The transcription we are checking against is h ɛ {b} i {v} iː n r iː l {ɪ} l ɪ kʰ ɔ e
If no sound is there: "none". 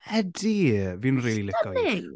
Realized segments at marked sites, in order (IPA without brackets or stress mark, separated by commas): d, v, i